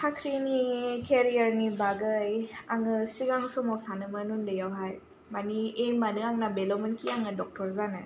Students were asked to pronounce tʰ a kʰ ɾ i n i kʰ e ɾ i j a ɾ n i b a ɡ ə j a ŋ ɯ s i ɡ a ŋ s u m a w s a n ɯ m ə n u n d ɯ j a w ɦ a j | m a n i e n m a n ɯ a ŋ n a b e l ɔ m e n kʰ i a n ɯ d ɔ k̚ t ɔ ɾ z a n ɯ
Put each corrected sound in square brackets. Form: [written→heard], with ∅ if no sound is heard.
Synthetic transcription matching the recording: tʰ a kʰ ɾ i n i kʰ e ɾ i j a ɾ n i b a ɡ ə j a ŋ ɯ s i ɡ a ŋ s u m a w s a n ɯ m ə n u n d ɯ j a w ɦ a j | m a n i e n m a n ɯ a ŋ n a b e l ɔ m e n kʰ i a [n→ŋ] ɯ d ɔ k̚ t ɔ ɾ z a n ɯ